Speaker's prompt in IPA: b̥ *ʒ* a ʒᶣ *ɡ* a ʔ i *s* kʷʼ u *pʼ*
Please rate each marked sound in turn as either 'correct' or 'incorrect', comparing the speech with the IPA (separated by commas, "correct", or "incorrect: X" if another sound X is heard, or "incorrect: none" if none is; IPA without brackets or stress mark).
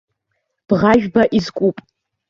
incorrect: ʁ, incorrect: b, incorrect: z, correct